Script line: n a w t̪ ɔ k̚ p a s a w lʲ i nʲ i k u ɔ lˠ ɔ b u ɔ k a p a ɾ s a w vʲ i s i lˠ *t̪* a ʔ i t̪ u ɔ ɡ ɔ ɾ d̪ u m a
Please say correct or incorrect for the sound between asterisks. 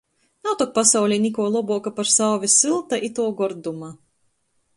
correct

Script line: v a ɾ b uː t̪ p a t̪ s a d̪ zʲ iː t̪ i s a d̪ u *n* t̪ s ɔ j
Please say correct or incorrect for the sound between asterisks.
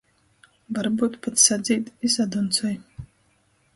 correct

